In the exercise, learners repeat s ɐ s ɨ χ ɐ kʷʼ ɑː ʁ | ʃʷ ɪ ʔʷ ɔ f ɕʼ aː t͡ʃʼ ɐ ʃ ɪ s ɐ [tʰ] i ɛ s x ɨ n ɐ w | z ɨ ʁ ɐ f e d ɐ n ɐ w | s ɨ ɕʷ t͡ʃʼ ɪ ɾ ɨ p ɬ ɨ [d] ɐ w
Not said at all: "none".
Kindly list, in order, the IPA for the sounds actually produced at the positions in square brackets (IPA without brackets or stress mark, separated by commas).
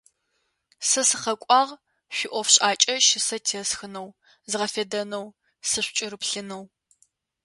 tʰ, n